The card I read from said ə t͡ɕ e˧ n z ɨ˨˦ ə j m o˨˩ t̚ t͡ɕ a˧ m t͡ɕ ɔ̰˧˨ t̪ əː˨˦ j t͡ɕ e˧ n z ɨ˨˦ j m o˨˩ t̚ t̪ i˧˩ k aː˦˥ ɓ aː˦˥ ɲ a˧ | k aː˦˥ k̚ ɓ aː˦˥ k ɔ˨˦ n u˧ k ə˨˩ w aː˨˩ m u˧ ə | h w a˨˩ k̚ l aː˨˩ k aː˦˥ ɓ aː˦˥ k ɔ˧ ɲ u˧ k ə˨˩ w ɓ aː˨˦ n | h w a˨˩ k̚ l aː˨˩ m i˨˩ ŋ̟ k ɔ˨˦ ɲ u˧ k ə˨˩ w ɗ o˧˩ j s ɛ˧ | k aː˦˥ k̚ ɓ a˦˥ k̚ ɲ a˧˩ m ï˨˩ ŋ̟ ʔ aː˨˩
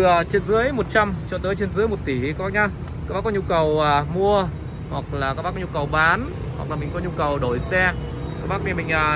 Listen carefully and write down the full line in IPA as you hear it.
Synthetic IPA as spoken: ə t͡ɕ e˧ n z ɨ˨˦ ə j m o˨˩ t̚ t͡ɕ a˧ m t͡ɕ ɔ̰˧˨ t̪ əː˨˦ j t͡ɕ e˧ n z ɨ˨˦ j m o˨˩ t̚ t̪ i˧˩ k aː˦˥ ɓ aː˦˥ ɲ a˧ | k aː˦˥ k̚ ɓ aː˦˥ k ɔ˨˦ ɲ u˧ k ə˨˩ w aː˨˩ m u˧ ə | h w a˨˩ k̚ l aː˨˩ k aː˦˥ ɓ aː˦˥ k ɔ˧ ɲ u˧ k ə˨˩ w ɓ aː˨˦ n | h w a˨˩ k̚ l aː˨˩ m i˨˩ ŋ̟ k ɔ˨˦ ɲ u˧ k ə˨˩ w ɗ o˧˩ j s ɛ˧ | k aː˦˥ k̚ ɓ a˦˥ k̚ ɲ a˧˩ m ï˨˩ ŋ̟ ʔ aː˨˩